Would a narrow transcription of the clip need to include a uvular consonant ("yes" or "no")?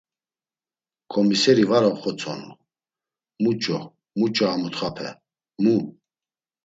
yes